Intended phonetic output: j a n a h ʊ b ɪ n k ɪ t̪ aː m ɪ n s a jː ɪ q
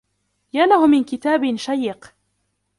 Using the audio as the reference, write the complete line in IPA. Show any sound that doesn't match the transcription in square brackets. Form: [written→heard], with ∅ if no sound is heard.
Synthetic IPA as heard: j a n a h ʊ [b→m] ɪ n k ɪ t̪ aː [m→b] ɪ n [s→ʃ] a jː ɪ q

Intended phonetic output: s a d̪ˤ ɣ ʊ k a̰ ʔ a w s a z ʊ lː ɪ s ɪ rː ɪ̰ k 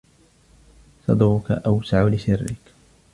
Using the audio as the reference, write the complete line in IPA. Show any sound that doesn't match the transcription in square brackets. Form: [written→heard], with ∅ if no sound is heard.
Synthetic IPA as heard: s [a→ɑ] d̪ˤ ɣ ʊ k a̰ ʔ a w s a [z→ʕ] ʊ [lː→l] ɪ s ɪ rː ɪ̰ k

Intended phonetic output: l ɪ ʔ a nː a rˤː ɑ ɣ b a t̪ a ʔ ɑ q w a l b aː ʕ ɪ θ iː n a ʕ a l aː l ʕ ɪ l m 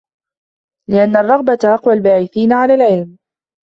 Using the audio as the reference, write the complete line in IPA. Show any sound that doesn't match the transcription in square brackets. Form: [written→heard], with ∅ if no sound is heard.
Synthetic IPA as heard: l ɪ ʔ a nː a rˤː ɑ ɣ b a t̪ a ʔ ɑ q w a l b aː ʕ ɪ θ iː n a ʕ a l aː l ʕ ɪ l m

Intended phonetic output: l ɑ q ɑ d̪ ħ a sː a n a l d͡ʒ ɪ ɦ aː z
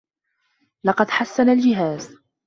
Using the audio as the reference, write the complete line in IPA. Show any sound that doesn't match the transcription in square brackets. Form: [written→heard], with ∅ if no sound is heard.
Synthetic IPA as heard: l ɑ q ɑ d̪ ħ a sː a n a l d͡ʒ ɪ ɦ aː z

